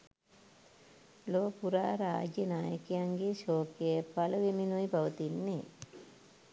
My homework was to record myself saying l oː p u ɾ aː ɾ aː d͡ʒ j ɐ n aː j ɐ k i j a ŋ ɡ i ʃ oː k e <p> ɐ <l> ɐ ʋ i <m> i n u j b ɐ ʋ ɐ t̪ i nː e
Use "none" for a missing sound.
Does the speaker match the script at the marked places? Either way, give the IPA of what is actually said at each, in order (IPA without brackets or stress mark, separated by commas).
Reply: p, l, m